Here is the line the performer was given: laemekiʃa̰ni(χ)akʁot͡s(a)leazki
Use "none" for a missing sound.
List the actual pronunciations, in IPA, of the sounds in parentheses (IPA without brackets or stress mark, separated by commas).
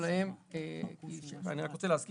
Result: ʁ, e